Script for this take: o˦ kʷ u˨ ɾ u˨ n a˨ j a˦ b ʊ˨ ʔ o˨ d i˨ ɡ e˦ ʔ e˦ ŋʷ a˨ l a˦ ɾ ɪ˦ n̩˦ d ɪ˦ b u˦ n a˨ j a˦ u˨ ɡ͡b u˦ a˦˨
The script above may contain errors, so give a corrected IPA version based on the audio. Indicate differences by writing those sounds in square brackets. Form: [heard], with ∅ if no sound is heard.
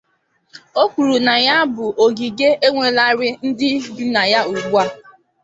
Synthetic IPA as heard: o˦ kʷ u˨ ɾ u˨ n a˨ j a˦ b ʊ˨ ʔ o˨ [ɡ] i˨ ɡ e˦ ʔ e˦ ŋʷ [e˨] l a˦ ɾ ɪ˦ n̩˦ d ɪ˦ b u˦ n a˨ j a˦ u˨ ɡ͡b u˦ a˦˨